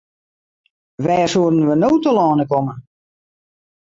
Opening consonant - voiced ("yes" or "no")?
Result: yes